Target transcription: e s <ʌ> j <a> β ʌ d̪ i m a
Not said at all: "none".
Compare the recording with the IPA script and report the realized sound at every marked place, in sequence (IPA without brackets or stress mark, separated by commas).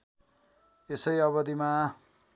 ʌ, ʌ